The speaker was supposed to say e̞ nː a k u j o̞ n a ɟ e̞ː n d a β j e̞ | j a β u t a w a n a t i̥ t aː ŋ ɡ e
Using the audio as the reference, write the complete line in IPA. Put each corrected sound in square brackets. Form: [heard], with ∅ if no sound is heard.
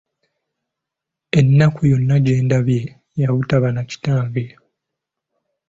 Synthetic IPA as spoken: e̞ nː a k u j o̞ [nː] a ɟ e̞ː n d a β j e̞ | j a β u t a [β] a n a [c] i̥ t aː ŋ ɡ e